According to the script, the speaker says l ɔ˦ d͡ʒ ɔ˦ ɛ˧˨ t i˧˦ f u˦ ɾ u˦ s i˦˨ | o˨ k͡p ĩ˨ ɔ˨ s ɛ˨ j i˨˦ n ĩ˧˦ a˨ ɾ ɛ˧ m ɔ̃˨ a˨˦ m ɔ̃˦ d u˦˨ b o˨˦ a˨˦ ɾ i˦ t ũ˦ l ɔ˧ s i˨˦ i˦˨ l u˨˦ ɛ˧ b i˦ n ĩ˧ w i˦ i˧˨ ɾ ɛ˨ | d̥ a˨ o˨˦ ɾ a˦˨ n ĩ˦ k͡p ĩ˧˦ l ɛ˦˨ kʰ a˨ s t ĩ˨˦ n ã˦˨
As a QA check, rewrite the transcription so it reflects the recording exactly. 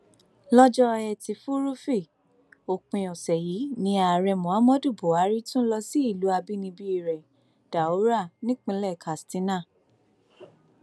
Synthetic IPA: l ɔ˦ d͡ʒ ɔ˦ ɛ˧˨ t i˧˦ f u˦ ɾ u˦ f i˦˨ | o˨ k͡p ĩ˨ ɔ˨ s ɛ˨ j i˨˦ n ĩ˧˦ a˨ ɾ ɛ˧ m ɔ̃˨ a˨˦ m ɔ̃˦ d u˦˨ b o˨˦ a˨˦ ɾ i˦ t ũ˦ l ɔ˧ s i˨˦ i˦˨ l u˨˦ a˧ b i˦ n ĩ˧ b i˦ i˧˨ ɾ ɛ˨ | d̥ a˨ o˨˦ ɾ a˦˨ n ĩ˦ k͡p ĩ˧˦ l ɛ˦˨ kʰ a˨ s t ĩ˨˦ n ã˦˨

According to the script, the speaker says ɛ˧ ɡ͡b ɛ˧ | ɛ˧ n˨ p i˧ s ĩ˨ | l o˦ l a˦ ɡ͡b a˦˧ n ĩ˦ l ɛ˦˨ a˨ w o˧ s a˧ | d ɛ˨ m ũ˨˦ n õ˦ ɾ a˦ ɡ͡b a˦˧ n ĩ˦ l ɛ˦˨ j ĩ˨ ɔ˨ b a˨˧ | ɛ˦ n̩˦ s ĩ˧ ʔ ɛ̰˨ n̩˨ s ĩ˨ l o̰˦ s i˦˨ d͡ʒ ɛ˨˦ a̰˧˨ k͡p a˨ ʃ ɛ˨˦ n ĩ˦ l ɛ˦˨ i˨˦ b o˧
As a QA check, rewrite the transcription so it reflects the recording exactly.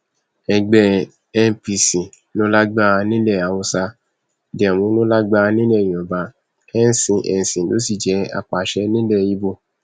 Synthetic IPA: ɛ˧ ɡ͡b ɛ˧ | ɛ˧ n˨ p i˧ s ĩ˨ | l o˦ l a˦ ɡ͡b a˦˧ n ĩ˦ l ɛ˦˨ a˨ w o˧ s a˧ | d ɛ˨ m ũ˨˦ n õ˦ l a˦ ɡ͡b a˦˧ n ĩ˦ l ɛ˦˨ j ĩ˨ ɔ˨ b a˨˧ | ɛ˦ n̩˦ s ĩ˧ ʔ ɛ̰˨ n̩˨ s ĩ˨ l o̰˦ s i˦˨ d͡ʒ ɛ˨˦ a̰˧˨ k͡p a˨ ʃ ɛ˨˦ n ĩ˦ l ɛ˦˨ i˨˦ b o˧

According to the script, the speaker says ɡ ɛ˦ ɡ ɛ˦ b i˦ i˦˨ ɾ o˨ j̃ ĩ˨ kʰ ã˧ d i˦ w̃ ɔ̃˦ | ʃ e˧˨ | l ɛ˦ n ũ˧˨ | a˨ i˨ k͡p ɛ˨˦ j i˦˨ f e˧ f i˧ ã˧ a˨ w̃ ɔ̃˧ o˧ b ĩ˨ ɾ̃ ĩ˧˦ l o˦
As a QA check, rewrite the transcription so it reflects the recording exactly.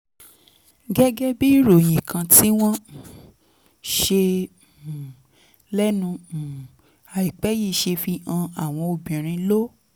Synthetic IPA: ɡ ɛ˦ ɡ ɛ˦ b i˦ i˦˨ ɾ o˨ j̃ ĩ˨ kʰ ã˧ t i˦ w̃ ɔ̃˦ | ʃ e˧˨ | l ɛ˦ n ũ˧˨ | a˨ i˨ k͡p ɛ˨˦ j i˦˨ ʃ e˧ f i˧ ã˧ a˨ w̃ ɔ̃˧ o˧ b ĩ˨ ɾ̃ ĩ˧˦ l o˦

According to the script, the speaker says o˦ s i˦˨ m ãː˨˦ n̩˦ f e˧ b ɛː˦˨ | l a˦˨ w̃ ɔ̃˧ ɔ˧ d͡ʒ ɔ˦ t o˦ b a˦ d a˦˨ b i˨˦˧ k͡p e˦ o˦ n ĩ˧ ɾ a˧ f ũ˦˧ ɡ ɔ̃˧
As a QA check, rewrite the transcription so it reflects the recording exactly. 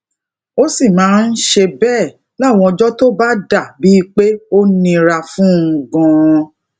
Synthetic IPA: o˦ s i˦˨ m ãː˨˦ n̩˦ ʃ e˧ b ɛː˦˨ | l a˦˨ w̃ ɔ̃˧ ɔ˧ d͡ʒ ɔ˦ t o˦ b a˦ d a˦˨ b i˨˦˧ k͡p e˦ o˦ n ĩ˧ ɾ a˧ f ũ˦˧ ɡ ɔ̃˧

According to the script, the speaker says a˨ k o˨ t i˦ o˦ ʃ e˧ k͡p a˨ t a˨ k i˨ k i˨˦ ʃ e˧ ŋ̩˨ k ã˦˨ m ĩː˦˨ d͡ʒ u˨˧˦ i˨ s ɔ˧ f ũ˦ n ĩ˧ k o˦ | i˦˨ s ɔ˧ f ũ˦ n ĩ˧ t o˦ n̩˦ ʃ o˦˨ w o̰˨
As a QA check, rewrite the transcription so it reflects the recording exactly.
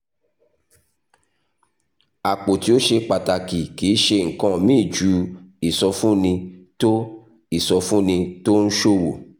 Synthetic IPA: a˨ k͡p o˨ t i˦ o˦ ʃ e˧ k͡p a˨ t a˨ k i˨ k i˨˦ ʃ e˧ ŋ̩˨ k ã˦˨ m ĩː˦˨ d͡ʒ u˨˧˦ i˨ s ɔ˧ f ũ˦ n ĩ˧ t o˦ | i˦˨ s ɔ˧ f ũ˦ n ĩ˧ t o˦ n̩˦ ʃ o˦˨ w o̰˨

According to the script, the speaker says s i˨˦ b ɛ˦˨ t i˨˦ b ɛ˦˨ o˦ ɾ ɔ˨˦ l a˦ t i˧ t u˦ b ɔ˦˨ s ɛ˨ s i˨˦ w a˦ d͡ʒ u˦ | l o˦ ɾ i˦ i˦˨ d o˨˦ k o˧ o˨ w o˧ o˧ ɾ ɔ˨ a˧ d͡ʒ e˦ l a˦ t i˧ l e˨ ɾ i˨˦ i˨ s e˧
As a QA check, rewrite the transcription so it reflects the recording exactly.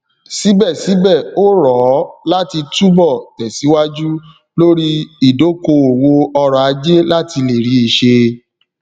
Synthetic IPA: s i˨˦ b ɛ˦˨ s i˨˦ b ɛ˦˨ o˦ ɾ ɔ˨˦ l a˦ t i˧ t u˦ b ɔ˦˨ t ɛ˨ s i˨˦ w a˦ d͡ʒ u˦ | l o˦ ɾ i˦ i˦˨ d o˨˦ k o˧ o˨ w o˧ ɔ˧ ɾ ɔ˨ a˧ d͡ʒ e˦ l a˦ t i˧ l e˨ ɾ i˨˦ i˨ ʃ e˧

